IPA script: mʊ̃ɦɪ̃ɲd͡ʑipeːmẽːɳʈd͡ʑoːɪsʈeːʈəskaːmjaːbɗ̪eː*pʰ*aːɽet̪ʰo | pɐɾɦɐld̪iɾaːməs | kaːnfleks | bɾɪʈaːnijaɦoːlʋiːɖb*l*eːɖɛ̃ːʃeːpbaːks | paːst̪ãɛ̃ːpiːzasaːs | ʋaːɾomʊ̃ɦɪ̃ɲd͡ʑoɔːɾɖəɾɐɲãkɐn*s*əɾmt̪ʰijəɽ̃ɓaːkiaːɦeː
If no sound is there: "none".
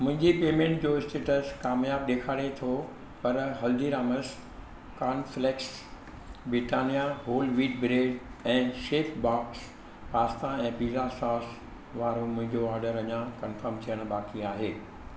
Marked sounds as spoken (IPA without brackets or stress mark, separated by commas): kʰ, ɾ, f